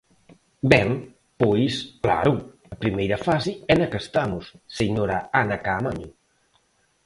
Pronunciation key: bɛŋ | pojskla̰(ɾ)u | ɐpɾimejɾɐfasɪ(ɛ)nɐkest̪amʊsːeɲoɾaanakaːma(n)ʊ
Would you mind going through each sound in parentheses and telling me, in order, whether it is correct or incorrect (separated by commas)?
correct, correct, incorrect